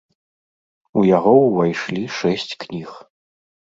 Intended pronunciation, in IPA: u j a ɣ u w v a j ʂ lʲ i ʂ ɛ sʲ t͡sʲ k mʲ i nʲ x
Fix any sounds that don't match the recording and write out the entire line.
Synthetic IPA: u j a ɣ ɔ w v a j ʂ lʲ i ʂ ɛ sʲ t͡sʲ k nʲ i x

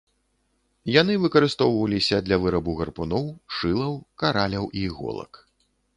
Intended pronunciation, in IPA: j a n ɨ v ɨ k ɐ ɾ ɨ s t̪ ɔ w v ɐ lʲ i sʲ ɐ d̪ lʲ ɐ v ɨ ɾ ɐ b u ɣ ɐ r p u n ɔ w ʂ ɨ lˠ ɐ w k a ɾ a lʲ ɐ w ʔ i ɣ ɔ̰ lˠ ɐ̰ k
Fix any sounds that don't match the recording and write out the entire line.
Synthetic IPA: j a n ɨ v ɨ k ɐ ɾ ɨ s t̪ ɔ w v ɐ lʲ i sʲ ɐ d̪ lʲ ɐ v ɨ ɾ ɐ b u ɣ ɐ r p u n ɔ w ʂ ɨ lˠ ɐ w k a ɾ a lʲ ɐ w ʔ i ɣ ɔ̰ lˠ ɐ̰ k

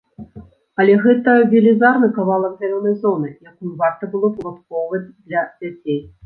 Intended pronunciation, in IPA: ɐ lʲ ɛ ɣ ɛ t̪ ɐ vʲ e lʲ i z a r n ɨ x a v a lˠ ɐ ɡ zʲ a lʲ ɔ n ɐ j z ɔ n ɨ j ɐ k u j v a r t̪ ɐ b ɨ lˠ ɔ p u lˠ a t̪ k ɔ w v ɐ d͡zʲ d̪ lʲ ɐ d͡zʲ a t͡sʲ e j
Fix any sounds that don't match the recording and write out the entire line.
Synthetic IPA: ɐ lʲ ɛ ɣ ɛ t̪ ɐ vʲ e lʲ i z a r n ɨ k a v a lˠ ɐ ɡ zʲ a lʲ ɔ n ɐ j z ɔ n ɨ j a k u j v a r t̪ ɐ b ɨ lˠ ɔ p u lˠ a t̪ k ɔ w v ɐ d͡zʲ d̪ lʲ ɐ d͡zʲ a t͡sʲ e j

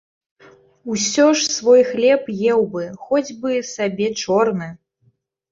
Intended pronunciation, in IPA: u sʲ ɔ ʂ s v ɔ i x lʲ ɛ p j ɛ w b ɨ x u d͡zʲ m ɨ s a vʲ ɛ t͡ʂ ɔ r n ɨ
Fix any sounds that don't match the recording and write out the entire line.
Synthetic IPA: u sʲ ɔ ʂ s v ɔ j x lʲ ɛ p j ɛ w b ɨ x ɔ d͡zʲ b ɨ s a bʲ ɛ t͡ʂ ɔ r n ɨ

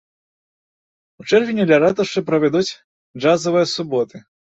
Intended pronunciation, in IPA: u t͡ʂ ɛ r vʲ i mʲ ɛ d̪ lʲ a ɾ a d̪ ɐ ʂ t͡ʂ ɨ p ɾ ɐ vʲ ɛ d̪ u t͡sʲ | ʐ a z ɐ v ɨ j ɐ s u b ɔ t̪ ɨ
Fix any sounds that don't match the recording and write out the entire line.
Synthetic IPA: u t͡ʂ ɛ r vʲ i nʲ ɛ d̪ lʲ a ɾ a t̪ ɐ ʂ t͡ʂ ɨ p ɾ ɐ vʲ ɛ d̪ u t͡sʲ | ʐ a z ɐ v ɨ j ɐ s u b ɔ t̪ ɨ

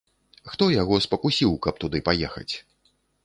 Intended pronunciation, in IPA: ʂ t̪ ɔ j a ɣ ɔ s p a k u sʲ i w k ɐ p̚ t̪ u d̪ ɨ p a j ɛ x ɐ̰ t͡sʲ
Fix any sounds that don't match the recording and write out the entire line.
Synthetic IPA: x t̪ ɔ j a ɣ ɔ s p ɐ k u sʲ i w k ɐ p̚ t̪ u d̪ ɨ p a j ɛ x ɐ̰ t͡sʲ

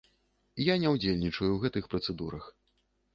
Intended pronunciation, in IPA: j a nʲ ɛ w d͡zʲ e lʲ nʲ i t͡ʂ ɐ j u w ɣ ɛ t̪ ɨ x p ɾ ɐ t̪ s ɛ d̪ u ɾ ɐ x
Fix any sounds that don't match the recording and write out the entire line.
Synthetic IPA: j a nʲ ɛ w d͡zʲ e lʲ nʲ i t͡ʂ ɐ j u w ɣ ɛ t̪ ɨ x p ɾ ɐ t̪ s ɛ d̪ u ɾ ɐ x

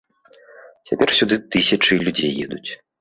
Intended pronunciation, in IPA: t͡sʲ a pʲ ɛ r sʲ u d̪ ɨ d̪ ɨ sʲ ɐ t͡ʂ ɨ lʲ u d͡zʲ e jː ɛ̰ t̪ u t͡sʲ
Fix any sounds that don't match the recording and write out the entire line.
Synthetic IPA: t͡sʲ a pʲ ɛ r sʲ u d̪ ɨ t̪ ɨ sʲ ɐ t͡ʂ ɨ lʲ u d͡zʲ e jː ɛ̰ d̪ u t͡sʲ

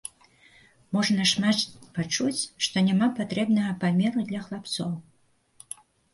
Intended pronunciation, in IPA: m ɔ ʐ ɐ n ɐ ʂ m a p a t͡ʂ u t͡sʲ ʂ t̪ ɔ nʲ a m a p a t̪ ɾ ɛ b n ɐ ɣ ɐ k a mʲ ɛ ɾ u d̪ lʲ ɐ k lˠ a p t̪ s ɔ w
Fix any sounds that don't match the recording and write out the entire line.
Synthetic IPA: m ɔ ʐ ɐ n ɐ ʂ m a p a t͡ʂ u t͡sʲ ʂ t̪ ɔ nʲ a m a p a t̪ ɾ ɛ b n ɐ ɣ ɐ p a mʲ ɛ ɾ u d̪ lʲ ɐ x lˠ a p t̪ s ɔ w

